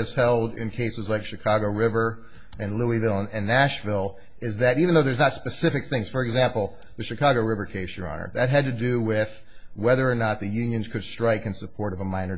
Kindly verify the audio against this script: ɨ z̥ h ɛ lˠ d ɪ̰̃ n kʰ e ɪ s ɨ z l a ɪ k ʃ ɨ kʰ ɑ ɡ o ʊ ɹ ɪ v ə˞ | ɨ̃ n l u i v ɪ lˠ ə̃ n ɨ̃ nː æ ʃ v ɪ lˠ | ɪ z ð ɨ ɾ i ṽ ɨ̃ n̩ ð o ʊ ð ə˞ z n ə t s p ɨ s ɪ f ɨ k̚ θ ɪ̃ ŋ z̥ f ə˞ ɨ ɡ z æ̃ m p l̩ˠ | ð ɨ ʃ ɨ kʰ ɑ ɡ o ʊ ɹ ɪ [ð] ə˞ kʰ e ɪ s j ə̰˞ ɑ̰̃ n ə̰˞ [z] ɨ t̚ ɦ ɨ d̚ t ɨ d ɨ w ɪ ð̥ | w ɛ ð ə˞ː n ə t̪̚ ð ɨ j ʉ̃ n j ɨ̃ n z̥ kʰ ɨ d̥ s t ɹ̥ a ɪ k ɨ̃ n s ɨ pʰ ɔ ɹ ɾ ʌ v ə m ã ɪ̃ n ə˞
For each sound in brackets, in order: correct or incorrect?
incorrect, incorrect

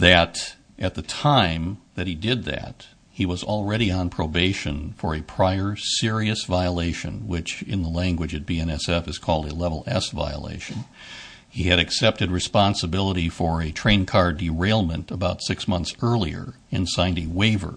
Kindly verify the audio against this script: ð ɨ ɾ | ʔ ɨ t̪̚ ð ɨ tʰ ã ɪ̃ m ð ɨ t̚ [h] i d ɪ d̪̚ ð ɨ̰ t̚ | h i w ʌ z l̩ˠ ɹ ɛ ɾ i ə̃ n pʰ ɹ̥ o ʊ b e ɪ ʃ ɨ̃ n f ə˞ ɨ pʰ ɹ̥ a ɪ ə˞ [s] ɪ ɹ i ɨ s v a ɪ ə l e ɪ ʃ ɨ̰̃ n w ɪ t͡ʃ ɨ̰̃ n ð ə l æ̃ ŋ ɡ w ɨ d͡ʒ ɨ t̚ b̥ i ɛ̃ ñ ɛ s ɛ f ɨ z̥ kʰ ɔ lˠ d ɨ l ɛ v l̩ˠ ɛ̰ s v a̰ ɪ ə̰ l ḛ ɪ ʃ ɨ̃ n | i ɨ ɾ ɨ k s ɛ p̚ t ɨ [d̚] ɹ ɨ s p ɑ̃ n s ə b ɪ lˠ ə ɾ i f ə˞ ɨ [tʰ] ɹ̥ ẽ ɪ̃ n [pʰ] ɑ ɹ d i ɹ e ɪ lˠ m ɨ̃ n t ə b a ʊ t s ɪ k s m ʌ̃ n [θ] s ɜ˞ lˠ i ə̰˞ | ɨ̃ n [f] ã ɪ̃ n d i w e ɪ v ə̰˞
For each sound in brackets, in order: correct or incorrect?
correct, correct, correct, correct, incorrect, correct, incorrect

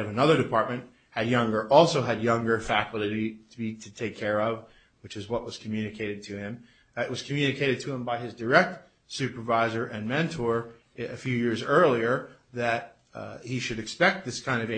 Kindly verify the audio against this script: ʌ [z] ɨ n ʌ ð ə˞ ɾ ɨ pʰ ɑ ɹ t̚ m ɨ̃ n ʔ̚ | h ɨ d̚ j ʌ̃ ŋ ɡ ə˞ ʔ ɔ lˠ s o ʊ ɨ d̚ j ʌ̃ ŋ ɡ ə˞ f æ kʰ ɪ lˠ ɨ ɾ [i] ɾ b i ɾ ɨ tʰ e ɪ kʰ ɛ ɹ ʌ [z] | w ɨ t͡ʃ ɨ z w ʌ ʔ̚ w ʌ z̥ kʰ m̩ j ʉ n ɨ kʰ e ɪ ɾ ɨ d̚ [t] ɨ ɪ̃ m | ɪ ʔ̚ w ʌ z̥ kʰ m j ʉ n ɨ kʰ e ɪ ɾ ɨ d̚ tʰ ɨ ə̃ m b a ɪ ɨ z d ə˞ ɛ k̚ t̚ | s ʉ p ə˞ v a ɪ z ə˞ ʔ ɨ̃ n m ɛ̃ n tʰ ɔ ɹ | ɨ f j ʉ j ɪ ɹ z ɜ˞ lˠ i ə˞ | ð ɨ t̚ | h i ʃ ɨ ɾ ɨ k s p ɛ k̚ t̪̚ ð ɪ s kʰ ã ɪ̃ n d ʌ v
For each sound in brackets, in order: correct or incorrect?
incorrect, correct, incorrect, incorrect

